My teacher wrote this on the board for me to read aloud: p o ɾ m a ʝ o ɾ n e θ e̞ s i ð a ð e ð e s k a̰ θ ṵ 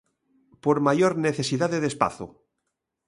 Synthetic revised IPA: p o ɾ m a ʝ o ɾ n e θ e̞ s i ð a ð e ð e s p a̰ θ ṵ